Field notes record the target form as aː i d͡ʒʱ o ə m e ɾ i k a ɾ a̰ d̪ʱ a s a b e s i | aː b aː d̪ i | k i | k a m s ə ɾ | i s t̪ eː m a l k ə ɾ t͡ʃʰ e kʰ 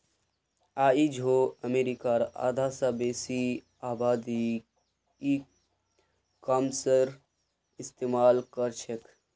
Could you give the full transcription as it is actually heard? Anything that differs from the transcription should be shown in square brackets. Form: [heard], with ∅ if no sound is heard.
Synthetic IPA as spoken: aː i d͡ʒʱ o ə m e ɾ i k a ɾ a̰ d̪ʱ a s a b e s i | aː b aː d̪ i | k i | k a m s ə ɾ | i s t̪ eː m a l k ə ɾ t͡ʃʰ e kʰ